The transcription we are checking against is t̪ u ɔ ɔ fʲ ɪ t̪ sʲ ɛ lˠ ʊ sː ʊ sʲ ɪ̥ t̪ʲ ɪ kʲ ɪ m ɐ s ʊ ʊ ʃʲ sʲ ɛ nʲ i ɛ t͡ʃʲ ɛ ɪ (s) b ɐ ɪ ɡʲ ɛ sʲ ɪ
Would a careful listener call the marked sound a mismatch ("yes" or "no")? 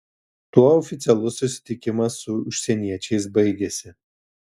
no